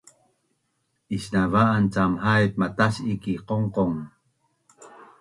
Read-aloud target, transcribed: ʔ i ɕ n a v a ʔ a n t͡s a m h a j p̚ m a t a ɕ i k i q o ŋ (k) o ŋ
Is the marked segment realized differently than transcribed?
yes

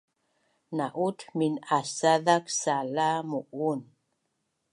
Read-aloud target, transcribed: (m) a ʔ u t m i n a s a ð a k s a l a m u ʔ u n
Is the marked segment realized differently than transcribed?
yes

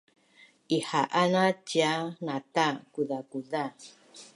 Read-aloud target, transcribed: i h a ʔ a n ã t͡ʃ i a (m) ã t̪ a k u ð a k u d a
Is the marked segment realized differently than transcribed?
yes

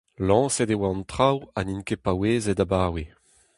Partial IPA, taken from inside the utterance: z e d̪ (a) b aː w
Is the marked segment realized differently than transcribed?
no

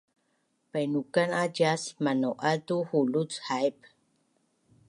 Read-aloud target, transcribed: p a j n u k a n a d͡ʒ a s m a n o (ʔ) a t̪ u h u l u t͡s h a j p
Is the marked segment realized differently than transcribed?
no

